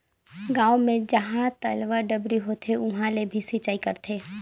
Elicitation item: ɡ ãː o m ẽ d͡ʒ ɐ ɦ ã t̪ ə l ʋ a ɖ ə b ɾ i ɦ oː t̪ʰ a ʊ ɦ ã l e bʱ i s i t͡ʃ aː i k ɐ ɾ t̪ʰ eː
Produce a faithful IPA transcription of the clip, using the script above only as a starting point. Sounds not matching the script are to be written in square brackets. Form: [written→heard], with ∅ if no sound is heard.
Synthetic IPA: ɡ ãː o m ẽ d͡ʒ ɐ ɦ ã t̪ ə l ʋ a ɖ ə b ɾ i ɦ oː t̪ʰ [a→e] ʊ ɦ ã l e bʱ i s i t͡ʃ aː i k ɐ ɾ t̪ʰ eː